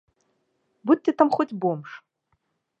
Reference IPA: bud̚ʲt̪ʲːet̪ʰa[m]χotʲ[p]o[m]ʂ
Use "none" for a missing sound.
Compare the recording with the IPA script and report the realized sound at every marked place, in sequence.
m, b, m

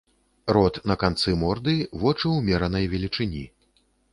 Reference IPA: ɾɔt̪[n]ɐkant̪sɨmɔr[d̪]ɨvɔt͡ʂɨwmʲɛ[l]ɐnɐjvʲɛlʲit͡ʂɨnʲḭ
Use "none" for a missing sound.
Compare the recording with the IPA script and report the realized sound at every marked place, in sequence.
n, d̪, ɾ

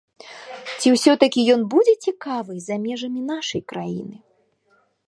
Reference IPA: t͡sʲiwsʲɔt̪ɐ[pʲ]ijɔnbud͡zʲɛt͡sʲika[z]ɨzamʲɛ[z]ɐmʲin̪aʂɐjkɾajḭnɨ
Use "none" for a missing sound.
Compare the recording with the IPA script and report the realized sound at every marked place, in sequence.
kʲ, v, ʐ

